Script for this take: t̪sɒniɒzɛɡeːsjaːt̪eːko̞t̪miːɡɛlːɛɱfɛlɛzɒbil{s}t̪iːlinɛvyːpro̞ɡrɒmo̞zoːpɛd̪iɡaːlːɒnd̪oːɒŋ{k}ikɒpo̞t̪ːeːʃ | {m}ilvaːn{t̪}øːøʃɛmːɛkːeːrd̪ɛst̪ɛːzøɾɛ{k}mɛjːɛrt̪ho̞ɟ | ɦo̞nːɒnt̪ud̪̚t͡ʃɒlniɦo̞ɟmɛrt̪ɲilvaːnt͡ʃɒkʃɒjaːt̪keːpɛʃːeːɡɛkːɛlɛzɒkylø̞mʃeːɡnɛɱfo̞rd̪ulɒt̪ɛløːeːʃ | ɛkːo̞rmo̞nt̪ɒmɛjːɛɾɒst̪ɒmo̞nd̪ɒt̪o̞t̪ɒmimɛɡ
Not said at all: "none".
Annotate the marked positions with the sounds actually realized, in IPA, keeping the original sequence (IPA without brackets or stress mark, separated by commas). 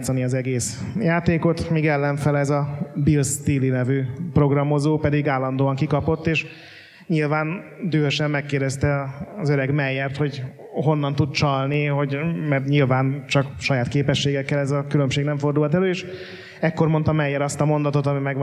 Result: s, k, ɲ, d̪, ɡ